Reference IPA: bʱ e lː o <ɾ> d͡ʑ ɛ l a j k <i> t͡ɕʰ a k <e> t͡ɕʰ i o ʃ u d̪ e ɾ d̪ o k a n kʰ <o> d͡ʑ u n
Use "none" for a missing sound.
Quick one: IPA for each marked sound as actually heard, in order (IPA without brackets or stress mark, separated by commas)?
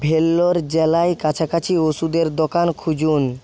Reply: ɾ, a, a, u